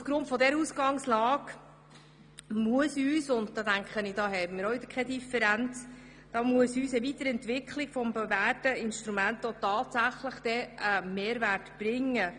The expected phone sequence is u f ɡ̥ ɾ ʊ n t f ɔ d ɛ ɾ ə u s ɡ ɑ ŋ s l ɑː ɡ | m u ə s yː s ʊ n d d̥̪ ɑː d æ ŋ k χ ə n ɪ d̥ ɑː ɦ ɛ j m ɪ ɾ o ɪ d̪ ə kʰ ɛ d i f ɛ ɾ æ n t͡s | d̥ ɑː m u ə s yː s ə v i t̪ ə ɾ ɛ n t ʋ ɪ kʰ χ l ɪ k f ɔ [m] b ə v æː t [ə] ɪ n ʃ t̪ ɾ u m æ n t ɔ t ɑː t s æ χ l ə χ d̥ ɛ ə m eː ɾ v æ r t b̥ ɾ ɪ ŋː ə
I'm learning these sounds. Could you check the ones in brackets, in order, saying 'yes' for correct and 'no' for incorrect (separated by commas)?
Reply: yes, yes